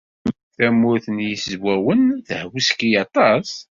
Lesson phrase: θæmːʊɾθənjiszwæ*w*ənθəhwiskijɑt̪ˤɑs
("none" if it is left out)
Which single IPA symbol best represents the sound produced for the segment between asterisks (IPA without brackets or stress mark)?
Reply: w